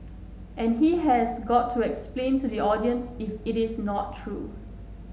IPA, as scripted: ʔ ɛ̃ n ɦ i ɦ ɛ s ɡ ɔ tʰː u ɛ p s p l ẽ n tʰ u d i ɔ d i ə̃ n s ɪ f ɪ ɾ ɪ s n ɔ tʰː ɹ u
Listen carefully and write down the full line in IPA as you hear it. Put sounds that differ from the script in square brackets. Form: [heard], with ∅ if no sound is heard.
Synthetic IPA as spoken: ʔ ɛ̃ n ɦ i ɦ ɛ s ɡ ɔ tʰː u ɛ [k] s p l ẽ n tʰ u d i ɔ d i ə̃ n s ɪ f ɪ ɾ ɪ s n ɔ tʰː ɹ u